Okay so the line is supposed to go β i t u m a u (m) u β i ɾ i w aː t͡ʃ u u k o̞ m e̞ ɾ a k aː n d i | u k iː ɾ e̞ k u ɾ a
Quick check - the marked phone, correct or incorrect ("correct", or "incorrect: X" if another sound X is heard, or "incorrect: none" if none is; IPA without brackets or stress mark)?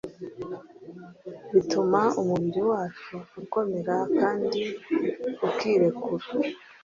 correct